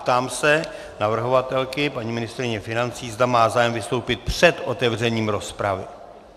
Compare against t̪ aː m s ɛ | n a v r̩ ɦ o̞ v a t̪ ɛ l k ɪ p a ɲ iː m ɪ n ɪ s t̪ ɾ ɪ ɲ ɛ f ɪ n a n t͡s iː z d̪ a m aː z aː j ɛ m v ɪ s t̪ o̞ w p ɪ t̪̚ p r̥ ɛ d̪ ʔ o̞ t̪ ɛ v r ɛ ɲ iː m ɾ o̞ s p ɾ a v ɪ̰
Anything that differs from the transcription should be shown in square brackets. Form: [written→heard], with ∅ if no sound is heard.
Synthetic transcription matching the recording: t̪ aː m s ɛ | n a v r̩ ɦ o̞ v a t̪ ɛ l k ɪ p a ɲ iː m ɪ n ɪ s t̪ ɾ ɪ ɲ ɛ f ɪ n a n t͡s iː z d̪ a m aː z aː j ɛ m v ɪ s t̪ o̞ w p ɪ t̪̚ p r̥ ɛ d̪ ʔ o̞ t̪ ɛ v r ɛ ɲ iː m ɾ o̞ s p ɾ a v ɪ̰